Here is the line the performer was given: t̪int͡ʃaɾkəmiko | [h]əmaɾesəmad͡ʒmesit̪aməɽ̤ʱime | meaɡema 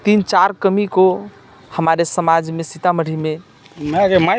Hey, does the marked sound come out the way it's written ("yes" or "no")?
yes